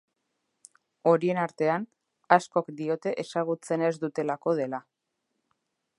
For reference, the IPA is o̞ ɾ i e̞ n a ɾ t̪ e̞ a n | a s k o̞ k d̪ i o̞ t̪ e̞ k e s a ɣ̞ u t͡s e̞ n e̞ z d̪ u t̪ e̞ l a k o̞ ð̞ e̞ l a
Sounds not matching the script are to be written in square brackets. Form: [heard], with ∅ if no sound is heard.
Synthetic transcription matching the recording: o̞ ɾ i e̞ n a ɾ t̪ e̞ a n | a s k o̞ k d̪ i o̞ t̪ e̞ [ʔ] e s a ɣ̞ u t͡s e̞ n e̞ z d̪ u t̪ e̞ l a k o̞ ð̞ e̞ l a